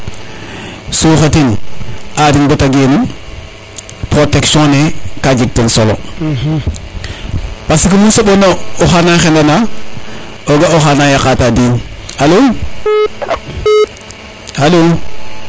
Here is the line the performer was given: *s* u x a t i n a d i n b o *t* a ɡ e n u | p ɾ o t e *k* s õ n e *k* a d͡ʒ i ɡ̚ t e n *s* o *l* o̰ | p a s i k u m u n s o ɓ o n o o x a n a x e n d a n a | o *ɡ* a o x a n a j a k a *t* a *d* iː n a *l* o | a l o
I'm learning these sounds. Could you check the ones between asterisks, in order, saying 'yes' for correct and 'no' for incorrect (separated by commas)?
yes, yes, yes, yes, yes, yes, yes, yes, yes, yes